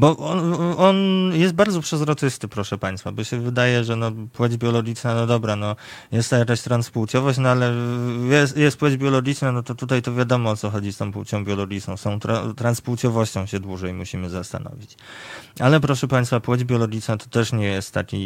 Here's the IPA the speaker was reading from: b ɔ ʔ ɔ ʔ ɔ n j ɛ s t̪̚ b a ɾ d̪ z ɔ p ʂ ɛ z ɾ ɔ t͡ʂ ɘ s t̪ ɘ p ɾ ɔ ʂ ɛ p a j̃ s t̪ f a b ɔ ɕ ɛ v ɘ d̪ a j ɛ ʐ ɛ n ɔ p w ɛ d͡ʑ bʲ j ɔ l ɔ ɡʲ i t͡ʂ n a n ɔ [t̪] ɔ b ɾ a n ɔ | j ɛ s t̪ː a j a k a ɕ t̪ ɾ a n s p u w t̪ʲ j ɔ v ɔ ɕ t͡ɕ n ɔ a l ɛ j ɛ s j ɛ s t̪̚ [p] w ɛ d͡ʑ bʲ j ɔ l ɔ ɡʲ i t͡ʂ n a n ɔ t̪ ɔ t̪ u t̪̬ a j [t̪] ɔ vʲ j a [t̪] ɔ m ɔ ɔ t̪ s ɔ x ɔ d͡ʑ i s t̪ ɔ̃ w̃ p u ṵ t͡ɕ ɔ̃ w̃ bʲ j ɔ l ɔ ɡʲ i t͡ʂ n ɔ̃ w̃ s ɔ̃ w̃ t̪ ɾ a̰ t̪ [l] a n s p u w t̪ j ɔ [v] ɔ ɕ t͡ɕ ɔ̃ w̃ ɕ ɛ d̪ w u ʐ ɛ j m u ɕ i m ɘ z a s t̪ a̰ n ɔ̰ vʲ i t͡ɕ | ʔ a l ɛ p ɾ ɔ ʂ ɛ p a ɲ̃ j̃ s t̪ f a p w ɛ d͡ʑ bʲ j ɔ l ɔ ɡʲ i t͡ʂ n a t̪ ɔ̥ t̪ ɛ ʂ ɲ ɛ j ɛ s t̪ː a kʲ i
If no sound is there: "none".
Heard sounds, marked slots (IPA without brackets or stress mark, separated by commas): d̪, p, t̪, d̪, ɾ, v